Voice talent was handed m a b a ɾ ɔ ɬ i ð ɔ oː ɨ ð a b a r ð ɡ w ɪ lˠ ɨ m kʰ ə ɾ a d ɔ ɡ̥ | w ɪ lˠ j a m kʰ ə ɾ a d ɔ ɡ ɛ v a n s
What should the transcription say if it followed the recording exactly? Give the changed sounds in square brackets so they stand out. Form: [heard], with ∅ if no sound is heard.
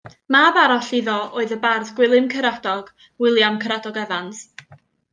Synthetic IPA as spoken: m a b a ɾ ɔ ɬ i ð ɔ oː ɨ ð [ə] b a r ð ɡ w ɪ lˠ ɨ m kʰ ə ɾ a d ɔ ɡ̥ | w ɪ lˠ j a m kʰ ə ɾ a d ɔ ɡ ɛ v a n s